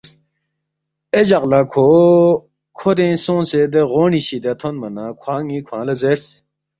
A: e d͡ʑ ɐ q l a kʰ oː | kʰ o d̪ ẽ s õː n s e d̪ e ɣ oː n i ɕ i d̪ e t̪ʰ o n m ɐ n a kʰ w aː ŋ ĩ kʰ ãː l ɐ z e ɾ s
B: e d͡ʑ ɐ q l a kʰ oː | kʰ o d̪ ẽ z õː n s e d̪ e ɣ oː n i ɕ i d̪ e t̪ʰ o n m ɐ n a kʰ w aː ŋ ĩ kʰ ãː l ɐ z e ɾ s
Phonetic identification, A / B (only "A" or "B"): A